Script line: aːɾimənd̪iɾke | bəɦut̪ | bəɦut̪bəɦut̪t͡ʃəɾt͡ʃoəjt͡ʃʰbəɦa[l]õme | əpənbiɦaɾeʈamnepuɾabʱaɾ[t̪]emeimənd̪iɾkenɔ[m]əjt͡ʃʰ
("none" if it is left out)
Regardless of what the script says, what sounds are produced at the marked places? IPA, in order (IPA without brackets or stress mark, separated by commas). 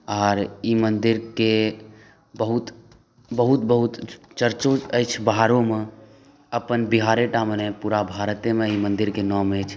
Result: ɾ, t̪, m